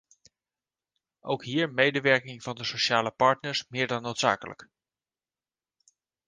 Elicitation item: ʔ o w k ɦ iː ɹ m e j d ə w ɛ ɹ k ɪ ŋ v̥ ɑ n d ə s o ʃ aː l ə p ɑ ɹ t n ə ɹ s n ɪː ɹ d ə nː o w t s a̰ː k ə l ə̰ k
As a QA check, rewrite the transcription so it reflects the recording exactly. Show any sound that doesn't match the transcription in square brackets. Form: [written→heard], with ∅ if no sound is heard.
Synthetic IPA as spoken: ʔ o w k ɦ iː ɹ m e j d ə [w→ʋ] ɛ ɹ k ɪ ŋ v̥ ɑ n d ə s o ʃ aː l ə p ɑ ɹ t n ə ɹ s [n→m] ɪː ɹ d [ə→ɑ] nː o w t s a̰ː k ə l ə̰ k